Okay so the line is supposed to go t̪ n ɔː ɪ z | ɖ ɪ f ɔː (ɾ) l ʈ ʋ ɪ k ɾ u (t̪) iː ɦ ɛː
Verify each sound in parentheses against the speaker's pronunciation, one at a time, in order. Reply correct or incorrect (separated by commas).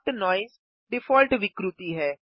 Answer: incorrect, correct